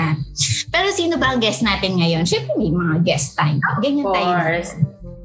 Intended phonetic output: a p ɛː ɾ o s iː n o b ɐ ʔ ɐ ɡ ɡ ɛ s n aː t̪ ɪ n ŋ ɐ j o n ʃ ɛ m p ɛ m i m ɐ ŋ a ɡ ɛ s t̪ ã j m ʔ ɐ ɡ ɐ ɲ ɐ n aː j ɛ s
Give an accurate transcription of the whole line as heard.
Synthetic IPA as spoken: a p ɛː ɾ o s iː n o b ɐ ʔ ɐ ŋ ɡ ɛ s n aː t̪ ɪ n ŋ ɐ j o n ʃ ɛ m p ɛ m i m ɐ ŋ a ɡ ɛ s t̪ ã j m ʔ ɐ ɡ ɐ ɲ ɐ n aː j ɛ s